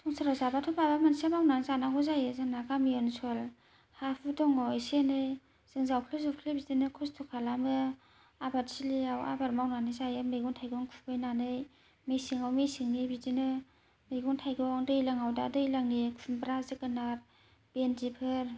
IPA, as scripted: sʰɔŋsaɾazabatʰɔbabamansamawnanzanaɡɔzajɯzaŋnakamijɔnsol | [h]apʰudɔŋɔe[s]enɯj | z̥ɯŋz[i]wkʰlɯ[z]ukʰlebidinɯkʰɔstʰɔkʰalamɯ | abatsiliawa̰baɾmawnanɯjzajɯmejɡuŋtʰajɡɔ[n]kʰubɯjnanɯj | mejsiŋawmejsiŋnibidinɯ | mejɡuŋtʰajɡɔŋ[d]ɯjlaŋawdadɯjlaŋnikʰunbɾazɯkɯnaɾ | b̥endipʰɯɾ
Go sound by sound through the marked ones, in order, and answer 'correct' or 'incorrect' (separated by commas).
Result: correct, correct, incorrect, correct, incorrect, correct